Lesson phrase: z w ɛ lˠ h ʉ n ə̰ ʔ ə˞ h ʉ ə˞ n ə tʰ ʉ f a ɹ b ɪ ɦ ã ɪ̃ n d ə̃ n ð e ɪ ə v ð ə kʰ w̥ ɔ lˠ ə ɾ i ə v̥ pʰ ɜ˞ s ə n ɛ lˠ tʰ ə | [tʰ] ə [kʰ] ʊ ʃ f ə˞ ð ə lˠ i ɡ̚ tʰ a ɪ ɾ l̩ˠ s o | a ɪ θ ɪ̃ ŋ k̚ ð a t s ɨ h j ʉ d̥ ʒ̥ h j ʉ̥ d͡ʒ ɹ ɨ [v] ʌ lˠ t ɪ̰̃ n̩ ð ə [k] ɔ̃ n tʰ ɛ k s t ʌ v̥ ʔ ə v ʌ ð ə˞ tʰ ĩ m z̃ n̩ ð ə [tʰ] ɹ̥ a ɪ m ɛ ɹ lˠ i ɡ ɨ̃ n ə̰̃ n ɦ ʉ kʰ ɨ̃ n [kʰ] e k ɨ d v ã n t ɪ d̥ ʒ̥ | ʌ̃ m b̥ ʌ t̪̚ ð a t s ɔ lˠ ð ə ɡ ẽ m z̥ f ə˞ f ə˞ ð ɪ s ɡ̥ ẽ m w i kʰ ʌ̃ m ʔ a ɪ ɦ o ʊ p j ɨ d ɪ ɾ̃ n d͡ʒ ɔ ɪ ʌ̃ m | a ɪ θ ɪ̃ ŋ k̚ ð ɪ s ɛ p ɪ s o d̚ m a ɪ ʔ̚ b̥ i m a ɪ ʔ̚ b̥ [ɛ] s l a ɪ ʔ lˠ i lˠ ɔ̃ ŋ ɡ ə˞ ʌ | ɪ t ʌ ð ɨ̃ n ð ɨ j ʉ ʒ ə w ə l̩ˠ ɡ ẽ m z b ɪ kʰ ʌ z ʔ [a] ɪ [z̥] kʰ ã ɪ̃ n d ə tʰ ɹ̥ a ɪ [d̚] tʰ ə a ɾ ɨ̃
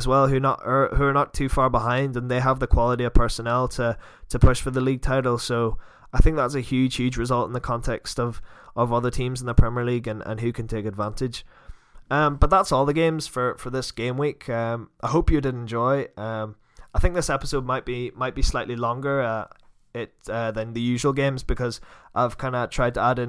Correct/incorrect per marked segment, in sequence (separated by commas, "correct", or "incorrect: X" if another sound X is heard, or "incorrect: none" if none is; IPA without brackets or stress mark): correct, incorrect: pʰ, incorrect: z, incorrect: kʰ, incorrect: pʰ, incorrect: tʰ, incorrect: i, correct, incorrect: v̥, correct